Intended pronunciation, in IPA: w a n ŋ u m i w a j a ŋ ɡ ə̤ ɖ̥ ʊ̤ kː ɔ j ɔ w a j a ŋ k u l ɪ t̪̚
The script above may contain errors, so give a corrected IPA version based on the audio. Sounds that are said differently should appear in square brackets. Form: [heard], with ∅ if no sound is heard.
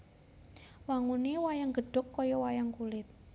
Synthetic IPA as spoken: w a [∅] ŋ u [n] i w a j a ŋ ɡ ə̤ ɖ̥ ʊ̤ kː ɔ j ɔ w a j a ŋ k u l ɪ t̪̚